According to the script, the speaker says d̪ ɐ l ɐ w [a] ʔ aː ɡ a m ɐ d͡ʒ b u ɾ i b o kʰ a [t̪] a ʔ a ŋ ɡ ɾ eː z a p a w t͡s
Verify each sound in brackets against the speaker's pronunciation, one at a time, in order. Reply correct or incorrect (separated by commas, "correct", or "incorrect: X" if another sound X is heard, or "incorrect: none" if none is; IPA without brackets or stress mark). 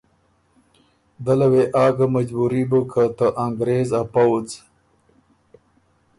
incorrect: e, correct